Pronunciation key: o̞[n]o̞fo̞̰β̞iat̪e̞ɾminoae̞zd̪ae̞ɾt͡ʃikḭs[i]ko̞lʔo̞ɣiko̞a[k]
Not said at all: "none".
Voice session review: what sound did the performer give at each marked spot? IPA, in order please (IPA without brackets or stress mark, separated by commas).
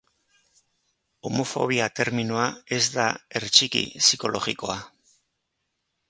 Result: m, i, none